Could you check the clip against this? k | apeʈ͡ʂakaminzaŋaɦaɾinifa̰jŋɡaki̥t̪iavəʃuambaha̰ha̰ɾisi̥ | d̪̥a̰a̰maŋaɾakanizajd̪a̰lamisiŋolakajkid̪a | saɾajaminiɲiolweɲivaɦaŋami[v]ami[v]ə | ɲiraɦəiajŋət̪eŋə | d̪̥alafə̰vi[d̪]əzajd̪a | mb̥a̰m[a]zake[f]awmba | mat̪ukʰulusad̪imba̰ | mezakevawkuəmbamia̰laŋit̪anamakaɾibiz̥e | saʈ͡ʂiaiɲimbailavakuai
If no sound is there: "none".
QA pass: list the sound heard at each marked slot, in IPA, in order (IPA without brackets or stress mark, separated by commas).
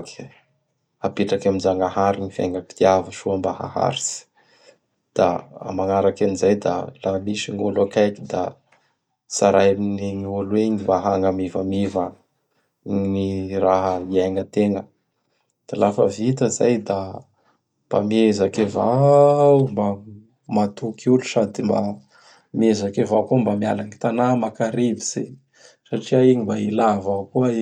v, v, t̪, e, v